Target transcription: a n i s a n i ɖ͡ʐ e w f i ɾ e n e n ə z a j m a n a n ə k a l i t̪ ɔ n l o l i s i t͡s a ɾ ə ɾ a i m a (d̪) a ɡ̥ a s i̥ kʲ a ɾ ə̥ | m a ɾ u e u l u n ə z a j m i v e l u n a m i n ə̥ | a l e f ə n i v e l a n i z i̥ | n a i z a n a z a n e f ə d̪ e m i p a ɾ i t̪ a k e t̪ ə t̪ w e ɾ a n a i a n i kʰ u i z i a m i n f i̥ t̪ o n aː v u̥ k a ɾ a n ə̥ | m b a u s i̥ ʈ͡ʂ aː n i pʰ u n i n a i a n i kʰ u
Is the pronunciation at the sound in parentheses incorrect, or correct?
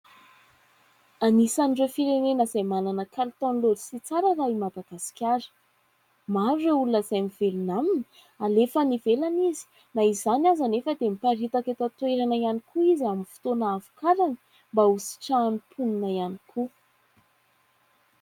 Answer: correct